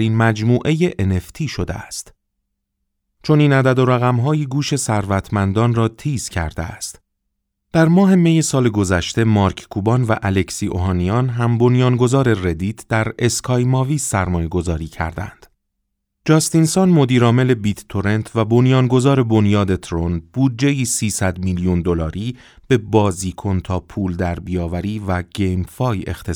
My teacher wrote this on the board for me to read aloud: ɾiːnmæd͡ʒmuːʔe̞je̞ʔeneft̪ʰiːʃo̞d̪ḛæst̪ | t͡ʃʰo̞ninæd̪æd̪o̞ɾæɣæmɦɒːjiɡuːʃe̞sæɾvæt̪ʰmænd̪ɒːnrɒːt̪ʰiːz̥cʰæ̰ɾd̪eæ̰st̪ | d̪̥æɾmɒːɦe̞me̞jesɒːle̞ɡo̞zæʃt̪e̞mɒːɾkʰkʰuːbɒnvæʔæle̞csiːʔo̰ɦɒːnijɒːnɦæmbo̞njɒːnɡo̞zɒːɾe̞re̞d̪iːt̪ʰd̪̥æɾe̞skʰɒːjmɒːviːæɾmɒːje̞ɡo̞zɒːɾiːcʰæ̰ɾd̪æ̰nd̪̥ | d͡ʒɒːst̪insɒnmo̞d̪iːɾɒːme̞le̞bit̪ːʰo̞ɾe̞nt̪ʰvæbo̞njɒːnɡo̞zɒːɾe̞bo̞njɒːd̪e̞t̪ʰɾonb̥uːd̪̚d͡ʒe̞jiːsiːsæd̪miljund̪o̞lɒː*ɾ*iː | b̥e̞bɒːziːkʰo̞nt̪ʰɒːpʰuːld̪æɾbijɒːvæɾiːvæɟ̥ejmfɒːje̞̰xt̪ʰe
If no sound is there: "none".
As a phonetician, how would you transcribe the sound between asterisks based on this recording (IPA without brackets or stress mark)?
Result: ɾ